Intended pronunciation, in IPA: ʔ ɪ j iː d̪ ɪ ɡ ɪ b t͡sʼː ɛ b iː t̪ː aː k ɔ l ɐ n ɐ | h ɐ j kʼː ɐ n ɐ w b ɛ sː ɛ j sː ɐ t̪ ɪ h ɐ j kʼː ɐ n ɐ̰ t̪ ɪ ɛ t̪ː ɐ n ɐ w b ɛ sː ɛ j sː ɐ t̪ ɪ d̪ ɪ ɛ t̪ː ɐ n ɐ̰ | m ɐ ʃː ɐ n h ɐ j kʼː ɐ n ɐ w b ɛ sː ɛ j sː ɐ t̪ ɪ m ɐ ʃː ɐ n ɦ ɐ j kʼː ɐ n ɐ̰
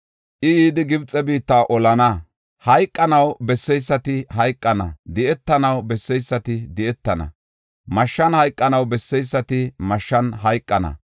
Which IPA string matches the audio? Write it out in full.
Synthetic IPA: ʔ ɪ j iː d̪ ɪ ɡ ɪ b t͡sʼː ɛ b iː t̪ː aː ʔ ɔ l ɐ n ɐ | h ɐ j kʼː ɐ n ɐ w b ɛ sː ɛ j sː ɐ t̪ ɪ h ɐ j kʼː ɐ n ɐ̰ d̪ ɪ ɛ t̪ː ɐ n ɐ w b ɛ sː ɛ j sː ɐ t̪ ɪ d̪ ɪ ɛ t̪ː ɐ n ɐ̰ | m ɐ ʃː ɐ n h ɐ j kʼː ɐ n ɐ w b ɛ sː ɛ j sː ɐ t̪ ɪ m ɐ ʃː ɐ n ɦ ɐ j kʼː ɐ n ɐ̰